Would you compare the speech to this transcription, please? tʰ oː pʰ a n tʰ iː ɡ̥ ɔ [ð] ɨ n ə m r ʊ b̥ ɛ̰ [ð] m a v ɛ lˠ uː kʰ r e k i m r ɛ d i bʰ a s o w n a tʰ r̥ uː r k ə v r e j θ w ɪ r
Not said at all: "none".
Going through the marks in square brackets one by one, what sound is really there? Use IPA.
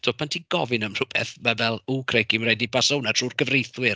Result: v, θ

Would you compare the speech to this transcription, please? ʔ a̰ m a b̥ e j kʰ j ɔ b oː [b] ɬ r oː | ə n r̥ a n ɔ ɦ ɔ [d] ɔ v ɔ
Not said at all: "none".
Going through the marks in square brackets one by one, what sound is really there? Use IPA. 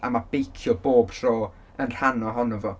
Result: b, n

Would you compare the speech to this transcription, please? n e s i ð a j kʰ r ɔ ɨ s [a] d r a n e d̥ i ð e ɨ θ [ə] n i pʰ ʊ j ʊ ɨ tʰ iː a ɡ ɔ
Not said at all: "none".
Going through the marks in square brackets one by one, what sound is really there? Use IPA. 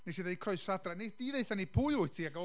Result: a, a

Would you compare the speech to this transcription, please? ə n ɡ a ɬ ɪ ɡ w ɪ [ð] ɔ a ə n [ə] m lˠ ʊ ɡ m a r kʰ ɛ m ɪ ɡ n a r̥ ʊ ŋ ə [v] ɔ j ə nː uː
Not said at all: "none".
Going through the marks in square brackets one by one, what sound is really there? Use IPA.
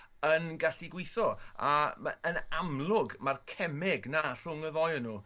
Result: θ, a, ð

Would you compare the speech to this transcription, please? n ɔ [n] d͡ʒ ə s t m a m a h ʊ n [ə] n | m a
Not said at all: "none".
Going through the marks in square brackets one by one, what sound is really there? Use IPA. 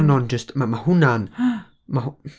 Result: n, a

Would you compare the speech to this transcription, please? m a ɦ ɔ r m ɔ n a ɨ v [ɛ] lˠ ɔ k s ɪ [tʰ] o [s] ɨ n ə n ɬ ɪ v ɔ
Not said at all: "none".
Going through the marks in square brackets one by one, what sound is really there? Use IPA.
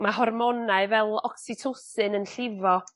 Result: ɛ, tʰ, s

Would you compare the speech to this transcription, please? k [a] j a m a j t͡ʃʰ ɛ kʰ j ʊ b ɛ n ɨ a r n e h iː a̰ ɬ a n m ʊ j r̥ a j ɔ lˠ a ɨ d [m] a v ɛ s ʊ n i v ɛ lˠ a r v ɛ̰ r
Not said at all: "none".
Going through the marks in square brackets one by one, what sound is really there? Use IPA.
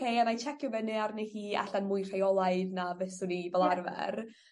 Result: e, n

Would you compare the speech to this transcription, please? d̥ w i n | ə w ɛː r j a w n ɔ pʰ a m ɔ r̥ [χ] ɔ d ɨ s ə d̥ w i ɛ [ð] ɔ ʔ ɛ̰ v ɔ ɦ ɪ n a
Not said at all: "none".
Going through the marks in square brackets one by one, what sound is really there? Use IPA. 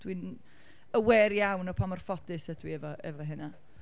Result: f, v

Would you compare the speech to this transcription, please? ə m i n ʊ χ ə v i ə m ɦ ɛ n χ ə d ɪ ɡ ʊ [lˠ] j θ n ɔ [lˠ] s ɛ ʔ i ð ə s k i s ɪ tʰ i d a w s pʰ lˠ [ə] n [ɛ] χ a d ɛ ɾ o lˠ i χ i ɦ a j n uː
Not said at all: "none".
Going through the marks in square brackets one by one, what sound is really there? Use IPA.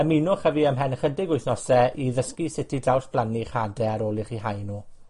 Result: none, none, a, i

